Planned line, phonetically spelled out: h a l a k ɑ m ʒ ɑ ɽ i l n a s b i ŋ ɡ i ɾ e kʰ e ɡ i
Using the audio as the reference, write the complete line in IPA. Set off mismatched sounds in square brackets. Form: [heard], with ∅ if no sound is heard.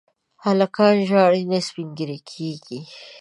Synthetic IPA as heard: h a l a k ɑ [n] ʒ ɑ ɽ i [∅] n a s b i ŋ ɡ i ɾ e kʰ e ɡ i